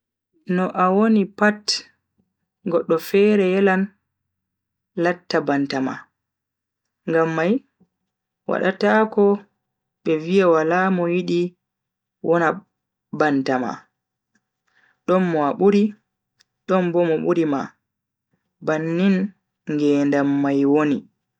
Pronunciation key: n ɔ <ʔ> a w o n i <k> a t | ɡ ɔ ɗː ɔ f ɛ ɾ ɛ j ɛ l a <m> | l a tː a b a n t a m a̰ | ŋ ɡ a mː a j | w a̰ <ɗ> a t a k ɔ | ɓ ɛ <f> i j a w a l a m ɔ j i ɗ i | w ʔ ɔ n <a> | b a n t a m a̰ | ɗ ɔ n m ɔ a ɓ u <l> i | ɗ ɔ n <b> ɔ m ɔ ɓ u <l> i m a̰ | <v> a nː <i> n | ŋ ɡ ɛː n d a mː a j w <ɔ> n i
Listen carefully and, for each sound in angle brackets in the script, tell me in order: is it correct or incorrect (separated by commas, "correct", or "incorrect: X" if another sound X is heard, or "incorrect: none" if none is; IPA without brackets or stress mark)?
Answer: correct, incorrect: p, incorrect: n, correct, incorrect: v, correct, incorrect: ɾ, correct, incorrect: ɾ, incorrect: b, correct, incorrect: o